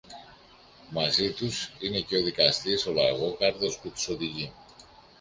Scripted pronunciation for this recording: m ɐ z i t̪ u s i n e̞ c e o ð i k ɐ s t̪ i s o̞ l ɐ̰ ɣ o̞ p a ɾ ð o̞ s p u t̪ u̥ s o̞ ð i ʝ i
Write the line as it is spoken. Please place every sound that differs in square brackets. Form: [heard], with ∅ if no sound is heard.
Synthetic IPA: m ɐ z i t̪ u s i n e̞ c e o ð i k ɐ s t̪ i s o̞ l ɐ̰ ɣ o̞ [k] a ɾ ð o̞ s p u t̪ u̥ s o̞ ð i ʝ i